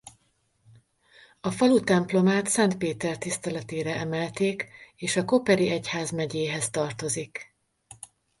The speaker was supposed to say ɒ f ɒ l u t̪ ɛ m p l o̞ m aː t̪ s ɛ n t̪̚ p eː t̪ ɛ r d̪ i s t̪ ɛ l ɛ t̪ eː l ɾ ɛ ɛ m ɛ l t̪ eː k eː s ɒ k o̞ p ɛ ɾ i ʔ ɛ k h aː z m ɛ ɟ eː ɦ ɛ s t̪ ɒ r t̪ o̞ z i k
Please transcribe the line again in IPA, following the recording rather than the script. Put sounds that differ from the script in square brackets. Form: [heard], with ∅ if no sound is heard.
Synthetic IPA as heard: ɒ f ɒ l u t̪ ɛ m p l o̞ m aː t̪ s ɛ n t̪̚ p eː t̪ ɛ r [t̪] i s t̪ ɛ l ɛ t̪ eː [∅] ɾ ɛ ɛ m ɛ l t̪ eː k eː [ʃ] ɒ k o̞ p ɛ ɾ i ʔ ɛ [c] h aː z m ɛ ɟ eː ɦ ɛ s t̪ ɒ r t̪ o̞ z i k